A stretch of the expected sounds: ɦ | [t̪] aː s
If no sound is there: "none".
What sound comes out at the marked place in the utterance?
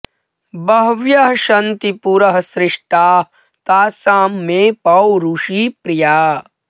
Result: t̪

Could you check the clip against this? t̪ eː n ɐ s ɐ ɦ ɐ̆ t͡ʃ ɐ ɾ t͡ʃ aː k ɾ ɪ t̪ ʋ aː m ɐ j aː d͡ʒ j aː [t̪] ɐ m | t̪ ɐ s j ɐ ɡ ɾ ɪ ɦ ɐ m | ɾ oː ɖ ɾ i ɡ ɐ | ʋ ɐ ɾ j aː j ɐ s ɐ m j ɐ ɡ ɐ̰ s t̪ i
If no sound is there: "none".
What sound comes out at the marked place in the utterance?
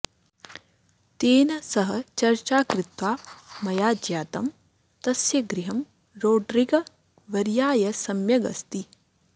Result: t̪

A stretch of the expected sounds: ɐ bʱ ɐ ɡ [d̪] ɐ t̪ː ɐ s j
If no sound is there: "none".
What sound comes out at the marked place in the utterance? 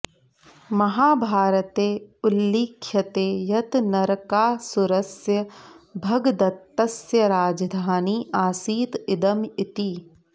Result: d̪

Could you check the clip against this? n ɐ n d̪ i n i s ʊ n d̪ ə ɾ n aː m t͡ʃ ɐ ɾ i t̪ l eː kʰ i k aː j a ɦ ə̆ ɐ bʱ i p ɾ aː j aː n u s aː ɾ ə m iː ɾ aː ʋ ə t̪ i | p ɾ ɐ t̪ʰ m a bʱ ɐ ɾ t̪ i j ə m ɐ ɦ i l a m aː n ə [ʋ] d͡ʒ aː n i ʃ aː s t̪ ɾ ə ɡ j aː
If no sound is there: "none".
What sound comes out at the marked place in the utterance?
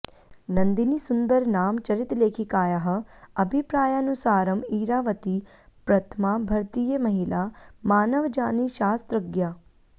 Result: ʋ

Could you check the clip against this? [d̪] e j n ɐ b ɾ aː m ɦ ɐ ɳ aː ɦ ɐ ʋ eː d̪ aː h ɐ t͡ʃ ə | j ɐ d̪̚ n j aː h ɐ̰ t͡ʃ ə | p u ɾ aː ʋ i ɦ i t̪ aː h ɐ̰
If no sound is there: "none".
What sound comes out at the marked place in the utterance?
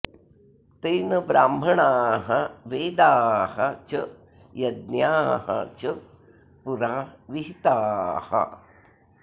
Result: t̪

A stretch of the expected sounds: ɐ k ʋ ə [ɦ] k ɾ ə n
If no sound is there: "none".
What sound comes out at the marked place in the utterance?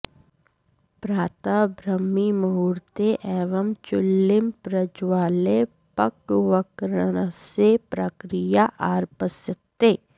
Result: none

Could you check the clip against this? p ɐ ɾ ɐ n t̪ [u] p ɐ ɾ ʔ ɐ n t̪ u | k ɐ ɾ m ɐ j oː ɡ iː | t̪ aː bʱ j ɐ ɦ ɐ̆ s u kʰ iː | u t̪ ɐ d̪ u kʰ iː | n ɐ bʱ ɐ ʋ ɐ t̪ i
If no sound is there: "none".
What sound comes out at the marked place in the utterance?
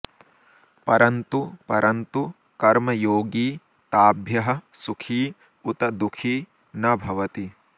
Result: u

